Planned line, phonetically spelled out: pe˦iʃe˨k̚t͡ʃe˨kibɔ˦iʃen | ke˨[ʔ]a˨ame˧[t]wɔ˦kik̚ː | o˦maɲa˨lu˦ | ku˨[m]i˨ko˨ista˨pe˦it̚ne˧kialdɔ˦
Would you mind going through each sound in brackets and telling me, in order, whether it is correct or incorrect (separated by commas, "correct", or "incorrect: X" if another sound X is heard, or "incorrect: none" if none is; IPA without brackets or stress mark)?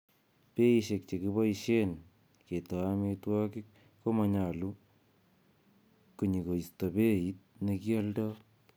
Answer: incorrect: t, correct, incorrect: ɲ